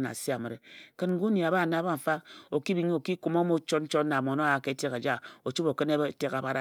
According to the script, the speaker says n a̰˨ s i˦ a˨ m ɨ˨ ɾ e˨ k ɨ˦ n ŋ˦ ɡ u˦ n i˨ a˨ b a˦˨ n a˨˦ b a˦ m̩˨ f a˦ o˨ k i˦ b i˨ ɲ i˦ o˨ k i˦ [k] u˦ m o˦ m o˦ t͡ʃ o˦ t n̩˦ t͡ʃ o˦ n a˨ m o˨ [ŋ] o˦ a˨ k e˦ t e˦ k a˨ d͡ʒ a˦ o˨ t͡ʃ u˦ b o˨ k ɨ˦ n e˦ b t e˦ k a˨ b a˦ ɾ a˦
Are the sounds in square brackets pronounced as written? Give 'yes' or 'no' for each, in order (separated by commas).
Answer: yes, no